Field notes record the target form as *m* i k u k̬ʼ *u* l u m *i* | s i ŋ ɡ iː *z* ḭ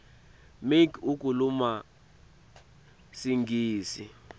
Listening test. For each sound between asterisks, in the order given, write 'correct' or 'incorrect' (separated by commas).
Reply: correct, correct, incorrect, incorrect